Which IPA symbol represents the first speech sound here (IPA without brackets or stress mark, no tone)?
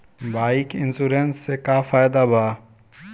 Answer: b